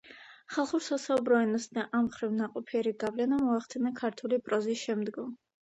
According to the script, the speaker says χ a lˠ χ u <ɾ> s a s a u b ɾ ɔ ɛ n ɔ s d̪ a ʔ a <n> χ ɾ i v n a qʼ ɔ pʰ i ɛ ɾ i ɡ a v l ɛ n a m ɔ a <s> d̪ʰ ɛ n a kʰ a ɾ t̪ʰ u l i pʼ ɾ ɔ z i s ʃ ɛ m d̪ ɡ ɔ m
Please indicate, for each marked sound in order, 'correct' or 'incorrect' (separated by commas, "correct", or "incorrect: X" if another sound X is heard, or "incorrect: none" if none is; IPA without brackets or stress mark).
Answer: correct, incorrect: m, incorrect: χ